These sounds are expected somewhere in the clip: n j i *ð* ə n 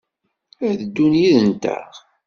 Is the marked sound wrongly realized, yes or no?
no